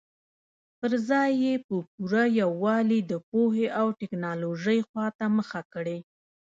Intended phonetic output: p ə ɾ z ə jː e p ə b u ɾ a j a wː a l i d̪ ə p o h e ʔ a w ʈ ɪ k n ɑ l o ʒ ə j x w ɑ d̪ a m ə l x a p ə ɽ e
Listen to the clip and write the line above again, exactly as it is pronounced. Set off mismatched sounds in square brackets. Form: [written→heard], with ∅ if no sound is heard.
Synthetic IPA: p ə ɾ z [ə→ɑ] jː e p ə [b→p] u ɾ a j a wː [a→ɑ] l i d̪ ə p o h e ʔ a w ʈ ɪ k n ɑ l o ʒ ə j x w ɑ [d̪→t̪] a m ə [l→∅] x a [p→k] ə ɽ e